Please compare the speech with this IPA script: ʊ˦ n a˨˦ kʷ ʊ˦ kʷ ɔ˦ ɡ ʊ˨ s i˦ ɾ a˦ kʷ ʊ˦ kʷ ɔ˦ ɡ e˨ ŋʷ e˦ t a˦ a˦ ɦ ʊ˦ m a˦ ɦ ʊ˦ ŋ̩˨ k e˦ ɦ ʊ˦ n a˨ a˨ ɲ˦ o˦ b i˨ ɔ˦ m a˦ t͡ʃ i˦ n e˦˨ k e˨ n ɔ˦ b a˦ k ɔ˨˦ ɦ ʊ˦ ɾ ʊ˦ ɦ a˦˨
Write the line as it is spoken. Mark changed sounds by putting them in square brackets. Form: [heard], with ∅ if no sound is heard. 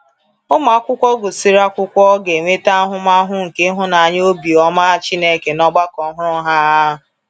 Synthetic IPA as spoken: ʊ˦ [m] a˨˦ kʷ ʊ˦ kʷ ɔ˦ ɡ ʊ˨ s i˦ ɾ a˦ kʷ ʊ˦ kʷ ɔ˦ ɡ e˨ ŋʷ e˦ t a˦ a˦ ɦ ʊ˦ m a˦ ɦ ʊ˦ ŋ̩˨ k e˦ ɦ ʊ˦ n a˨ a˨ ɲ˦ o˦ b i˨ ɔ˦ m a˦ t͡ʃ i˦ n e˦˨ k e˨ n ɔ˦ [ɡ͡b] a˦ k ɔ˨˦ ɦ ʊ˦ ɾ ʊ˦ ɦ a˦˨